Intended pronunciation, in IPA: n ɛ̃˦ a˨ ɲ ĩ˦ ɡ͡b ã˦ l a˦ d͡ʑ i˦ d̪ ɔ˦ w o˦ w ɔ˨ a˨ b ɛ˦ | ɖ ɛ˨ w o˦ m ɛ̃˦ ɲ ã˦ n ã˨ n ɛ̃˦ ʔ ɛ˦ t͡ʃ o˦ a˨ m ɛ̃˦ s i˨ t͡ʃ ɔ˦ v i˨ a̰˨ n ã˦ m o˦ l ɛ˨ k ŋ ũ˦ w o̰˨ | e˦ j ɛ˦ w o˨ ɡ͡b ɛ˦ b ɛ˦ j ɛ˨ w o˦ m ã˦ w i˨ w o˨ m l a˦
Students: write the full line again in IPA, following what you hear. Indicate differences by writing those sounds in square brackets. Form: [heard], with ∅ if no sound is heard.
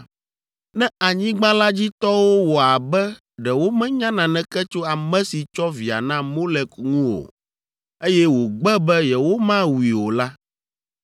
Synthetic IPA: n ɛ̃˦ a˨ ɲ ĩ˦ ɡ͡b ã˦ l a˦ d͡ʑ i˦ [t̪] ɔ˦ w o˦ w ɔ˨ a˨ b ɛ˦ | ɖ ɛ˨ w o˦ m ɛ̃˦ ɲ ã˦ n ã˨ n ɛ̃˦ [k] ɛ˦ t͡ʃ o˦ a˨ m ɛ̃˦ s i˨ t͡ʃ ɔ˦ v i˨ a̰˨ n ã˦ m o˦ l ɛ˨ k ŋ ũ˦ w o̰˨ | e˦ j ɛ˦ w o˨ ɡ͡b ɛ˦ b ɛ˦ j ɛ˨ w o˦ m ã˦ w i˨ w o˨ [∅] l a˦

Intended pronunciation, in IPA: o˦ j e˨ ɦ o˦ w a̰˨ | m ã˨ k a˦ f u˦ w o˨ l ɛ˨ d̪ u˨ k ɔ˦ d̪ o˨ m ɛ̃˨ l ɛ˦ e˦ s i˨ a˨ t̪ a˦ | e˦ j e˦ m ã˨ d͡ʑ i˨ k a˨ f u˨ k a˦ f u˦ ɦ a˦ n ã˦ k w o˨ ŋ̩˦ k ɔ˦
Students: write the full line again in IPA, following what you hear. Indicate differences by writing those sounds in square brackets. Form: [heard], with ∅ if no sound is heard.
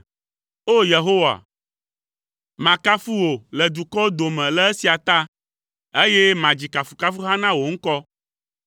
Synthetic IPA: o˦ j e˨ ɦ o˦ w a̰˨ | m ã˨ k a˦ f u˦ w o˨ l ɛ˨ d̪ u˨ k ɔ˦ d̪ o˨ m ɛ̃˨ l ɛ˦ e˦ s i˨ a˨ t̪ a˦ | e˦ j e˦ m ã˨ d͡ʑ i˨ k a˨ f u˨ k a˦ f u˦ ɦ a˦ n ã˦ [∅] w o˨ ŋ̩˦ k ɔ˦

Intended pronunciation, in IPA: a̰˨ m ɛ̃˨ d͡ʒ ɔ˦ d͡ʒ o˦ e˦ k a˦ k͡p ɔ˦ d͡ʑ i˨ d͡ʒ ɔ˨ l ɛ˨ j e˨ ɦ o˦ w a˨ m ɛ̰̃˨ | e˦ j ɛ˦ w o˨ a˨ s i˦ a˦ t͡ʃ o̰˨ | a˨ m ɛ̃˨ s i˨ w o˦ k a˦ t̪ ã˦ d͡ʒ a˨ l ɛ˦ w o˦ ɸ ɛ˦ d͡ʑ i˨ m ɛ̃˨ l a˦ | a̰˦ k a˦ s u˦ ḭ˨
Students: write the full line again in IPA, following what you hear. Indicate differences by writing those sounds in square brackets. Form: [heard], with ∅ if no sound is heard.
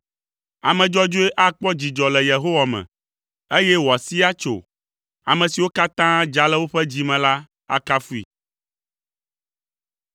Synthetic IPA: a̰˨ m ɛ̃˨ d͡ʒ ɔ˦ d͡ʒ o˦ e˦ [ʔ] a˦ k͡p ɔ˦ d͡ʑ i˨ d͡ʒ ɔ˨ l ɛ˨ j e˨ ɦ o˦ w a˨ m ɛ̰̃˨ | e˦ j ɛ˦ w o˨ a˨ s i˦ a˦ t͡ʃ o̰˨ | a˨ m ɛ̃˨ s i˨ w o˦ k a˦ t̪ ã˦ d͡ʒ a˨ l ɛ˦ w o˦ ɸ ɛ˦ d͡ʑ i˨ m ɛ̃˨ l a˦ | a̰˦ k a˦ [f] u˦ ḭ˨

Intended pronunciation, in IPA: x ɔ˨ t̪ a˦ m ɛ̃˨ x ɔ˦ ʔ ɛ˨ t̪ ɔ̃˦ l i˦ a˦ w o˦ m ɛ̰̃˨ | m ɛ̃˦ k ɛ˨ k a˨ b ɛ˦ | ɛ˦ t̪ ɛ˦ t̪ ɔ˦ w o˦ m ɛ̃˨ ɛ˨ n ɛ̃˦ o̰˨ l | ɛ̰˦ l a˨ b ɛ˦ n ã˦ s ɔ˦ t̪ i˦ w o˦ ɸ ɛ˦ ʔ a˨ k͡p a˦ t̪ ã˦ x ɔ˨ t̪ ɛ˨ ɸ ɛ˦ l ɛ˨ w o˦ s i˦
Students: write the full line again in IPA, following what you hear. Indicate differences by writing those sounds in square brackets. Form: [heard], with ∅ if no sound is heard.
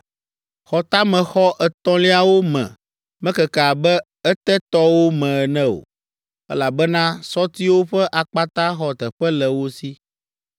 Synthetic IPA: x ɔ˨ t̪ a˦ m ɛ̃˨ x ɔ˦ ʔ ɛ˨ t̪ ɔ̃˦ l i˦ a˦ w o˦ m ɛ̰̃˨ | m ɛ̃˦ k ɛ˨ k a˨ b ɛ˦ | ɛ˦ t̪ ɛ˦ t̪ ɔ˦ w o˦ m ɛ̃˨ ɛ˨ n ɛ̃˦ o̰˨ [∅] | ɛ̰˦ l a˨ b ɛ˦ n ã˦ s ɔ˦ t̪ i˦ w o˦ ɸ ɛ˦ ʔ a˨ k͡p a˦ t̪ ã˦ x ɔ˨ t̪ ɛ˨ ɸ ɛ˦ l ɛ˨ w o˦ s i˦

